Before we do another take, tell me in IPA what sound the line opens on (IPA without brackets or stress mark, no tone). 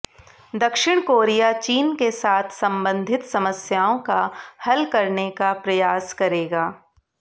d̪